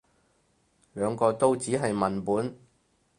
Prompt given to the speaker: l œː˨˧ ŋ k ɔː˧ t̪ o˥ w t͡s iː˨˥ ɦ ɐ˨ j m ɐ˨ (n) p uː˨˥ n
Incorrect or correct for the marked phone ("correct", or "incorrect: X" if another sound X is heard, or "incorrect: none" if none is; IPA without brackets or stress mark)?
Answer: correct